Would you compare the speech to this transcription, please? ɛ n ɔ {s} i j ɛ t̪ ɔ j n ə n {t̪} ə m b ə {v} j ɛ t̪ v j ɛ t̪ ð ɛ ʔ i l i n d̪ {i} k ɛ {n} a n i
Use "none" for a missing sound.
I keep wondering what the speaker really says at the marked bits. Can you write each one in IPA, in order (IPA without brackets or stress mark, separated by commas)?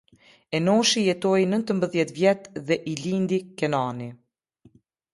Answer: ʃ, t̪, ð, i, n